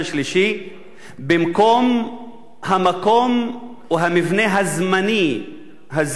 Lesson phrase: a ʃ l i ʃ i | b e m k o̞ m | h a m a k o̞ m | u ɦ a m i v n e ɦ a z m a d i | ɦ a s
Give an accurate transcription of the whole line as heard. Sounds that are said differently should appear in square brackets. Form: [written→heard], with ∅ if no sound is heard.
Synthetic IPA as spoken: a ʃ l i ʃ i | b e m k o̞ m | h a m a k o̞ m | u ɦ a m i v n e ɦ a z m a [d→n] i | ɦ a [s→z]